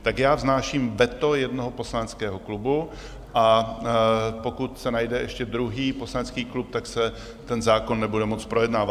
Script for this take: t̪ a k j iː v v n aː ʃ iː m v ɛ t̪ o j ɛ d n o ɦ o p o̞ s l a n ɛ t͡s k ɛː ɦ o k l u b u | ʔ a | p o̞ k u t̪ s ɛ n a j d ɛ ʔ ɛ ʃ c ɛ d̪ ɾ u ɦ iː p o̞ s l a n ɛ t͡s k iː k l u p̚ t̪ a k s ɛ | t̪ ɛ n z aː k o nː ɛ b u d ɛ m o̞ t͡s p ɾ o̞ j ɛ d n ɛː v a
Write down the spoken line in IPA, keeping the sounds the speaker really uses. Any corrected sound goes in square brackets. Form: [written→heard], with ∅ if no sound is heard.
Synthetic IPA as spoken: t̪ a k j [iː→aː] v [v→z] n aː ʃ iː m v ɛ t̪ o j ɛ d n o ɦ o p o̞ s l a n ɛ t͡s k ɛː ɦ o k l u b u | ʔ a | p o̞ k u t̪ s ɛ n a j d ɛ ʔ ɛ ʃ c ɛ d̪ ɾ u ɦ iː p o̞ s l a n ɛ t͡s k iː k l u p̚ t̪ a k s ɛ | t̪ ɛ n z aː k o nː ɛ b u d ɛ m o̞ t͡s p ɾ o̞ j ɛ d n [ɛː→aː] v a